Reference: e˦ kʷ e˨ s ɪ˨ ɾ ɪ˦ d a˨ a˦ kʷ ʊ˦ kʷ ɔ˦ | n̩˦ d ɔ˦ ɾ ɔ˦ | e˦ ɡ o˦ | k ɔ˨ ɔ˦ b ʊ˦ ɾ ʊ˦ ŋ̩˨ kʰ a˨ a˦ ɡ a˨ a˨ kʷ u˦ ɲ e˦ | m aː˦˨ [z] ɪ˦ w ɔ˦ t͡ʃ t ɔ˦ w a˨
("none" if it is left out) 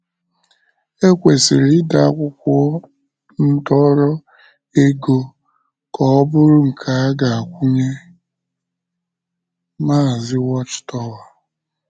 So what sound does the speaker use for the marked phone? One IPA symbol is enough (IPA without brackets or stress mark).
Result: z